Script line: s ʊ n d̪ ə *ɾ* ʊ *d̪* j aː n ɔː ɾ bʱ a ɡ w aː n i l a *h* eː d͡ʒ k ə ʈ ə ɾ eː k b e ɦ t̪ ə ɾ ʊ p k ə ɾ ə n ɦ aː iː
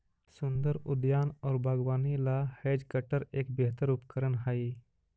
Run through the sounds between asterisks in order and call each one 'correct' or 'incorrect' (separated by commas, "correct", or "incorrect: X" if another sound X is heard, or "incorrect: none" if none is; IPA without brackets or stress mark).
correct, correct, correct